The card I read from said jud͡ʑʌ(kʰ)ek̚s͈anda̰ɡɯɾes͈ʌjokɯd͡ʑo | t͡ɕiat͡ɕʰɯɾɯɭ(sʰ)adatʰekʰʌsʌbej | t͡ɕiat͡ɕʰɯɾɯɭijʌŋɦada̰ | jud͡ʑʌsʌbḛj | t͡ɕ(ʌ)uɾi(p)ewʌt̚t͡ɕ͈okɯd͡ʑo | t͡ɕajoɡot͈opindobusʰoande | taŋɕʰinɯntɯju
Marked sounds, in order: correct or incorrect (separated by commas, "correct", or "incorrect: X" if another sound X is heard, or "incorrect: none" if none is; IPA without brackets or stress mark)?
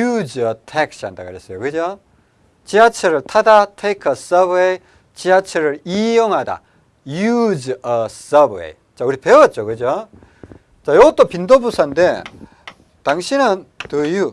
incorrect: tʰ, incorrect: tʰ, incorrect: a, correct